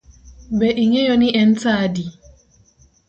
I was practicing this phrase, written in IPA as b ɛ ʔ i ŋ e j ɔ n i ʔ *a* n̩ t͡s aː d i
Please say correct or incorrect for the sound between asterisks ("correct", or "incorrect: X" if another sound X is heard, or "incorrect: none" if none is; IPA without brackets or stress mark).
incorrect: ɛ